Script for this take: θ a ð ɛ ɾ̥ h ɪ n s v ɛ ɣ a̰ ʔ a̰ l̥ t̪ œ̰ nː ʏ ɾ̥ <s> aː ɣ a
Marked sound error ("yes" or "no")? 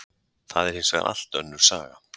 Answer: no